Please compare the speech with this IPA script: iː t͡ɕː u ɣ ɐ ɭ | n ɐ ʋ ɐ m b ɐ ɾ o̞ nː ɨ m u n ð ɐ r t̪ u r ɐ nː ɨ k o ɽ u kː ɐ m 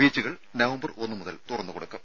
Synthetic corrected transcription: iː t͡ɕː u ɣ ɐ ɭ | n ɐ ʋ ɐ m b ɐ r o̞ nː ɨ m u ð ɐ l t̪ u r ɐ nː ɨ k o ɽ u kː ɐ m

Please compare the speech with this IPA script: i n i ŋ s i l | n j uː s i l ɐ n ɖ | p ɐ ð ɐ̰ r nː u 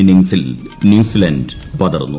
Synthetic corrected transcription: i n i ŋ s i l | n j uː s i l ɐ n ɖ | p ɐ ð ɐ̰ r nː u

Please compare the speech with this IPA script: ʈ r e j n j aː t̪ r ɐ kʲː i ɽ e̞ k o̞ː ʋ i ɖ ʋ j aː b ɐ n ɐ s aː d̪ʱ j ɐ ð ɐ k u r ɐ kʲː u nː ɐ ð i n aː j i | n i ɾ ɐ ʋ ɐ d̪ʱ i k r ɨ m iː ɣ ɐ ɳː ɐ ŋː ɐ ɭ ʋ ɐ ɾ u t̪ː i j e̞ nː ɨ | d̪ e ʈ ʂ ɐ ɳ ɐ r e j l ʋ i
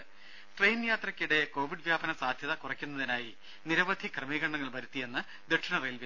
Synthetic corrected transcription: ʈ r e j n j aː t̪ r ɐ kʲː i ɽ e̞ k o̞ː ʋ i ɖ ʋ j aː b ɐ n ɐ s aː d̪ʱ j ɐ ð ɐ k u r ɐ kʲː u nː ɐ ð i n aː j i | n i ɾ ɐ ʋ ɐ d̪ʱ i k r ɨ m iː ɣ ɐ ɳː ɐ ŋː ɐ ɭ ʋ ɐ ɾ u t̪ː i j e̞ nː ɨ | d̪ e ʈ ʂ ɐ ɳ ɐ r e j l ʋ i

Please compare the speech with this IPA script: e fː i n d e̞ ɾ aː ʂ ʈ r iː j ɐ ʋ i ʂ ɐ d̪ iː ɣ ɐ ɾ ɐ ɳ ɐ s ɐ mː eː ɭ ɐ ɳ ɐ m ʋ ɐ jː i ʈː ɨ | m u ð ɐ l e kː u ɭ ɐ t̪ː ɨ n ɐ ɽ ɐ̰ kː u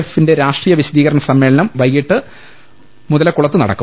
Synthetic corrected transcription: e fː i n d e̞ ɾ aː ʂ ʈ r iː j ɐ ʋ i ɕ ɐ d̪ iː ɣ ɐ ɾ ɐ ɳ ɐ s ɐ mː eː ɭ ɐ n ɐ m ʋ ɐ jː i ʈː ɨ | m u ð ɐ l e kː u ɭ ɐ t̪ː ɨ n ɐ ɽ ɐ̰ kː u

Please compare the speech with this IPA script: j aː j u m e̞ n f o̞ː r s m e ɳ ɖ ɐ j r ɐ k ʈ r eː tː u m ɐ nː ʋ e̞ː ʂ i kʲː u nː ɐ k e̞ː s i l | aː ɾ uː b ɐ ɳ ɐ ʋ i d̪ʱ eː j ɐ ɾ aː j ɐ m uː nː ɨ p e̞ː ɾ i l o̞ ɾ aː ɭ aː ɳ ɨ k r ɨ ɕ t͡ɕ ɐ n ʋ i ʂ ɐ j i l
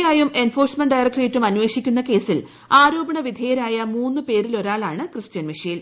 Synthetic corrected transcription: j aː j u m e̞ n f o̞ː r s m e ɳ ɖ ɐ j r ɐ k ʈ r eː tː u m ɐ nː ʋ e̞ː ʂ i kʲː u nː ɐ k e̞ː s i l | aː ɾ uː b ɐ ɳ ɐ ʋ i d̪ʱ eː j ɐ ɾ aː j ɐ m uː nː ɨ p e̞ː ɾ i l o̞ ɾ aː ɭ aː ɳ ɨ k r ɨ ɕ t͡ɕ ɐ n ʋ i ʂ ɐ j i l

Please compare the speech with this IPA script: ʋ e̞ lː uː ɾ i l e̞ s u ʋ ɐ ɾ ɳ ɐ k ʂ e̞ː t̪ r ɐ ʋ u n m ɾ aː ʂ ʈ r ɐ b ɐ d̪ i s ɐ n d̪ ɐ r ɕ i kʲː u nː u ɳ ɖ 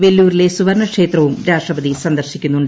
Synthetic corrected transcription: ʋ e̞ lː uː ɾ i l e̞ s u ʋ ɐ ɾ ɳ ɐ k ʂ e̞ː t̪ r ɐ ʋ u m ɾ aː ʂ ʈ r ɐ b ɐ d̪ i s ɐ n d̪ ɐ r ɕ i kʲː u nː u ɳ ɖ

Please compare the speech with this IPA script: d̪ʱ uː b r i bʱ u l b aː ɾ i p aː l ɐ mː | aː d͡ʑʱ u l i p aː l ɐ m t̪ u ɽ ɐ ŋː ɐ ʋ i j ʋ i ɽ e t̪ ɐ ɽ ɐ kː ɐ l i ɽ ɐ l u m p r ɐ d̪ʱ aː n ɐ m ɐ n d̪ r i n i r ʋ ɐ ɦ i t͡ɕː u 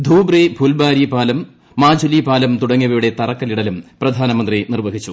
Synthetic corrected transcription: d̪ʱ uː b r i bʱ u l b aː ɾ i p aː l ɐ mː | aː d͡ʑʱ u l i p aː l ɐ m t̪ u ɽ ɐ ŋː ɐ ʋ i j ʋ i ɽ e t̪ ɐ r ɐ kː ɐ l i ɽ ɐ l u m p r ɐ d̪ʱ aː n ɐ m ɐ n d̪ r i n i r ʋ ɐ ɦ i t͡ɕː u

